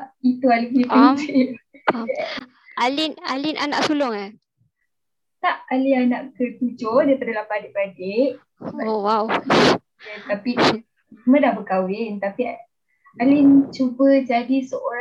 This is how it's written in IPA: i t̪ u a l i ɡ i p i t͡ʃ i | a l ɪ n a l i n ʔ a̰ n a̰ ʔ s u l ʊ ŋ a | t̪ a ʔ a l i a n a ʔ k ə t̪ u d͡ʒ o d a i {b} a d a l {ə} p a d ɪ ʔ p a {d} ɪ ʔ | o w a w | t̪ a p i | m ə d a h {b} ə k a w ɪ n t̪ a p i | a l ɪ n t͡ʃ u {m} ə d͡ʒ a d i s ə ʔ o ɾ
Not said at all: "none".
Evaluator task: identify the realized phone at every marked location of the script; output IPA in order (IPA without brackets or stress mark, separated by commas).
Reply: p, a, d, b, b